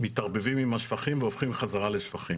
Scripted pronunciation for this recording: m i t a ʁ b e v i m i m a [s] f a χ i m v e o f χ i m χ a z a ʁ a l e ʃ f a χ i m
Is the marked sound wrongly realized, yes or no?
yes